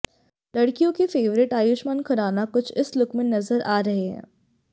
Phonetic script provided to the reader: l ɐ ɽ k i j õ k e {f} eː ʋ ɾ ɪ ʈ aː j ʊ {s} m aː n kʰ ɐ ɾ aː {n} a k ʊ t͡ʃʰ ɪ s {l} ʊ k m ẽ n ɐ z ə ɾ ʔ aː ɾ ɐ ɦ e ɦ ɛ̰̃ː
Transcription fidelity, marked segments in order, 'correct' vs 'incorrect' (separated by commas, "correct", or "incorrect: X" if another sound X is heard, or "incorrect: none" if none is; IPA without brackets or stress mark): correct, incorrect: ʃ, correct, correct